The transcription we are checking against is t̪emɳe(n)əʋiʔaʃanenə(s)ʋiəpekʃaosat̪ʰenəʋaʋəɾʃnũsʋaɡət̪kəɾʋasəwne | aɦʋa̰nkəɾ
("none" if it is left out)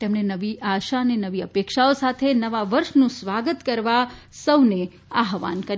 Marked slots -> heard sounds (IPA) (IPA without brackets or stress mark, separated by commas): n, none